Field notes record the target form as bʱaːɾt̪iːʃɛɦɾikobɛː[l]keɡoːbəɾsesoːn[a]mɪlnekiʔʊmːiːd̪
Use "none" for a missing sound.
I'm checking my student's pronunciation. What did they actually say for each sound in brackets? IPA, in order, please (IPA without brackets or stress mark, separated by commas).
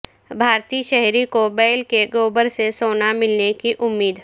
l, a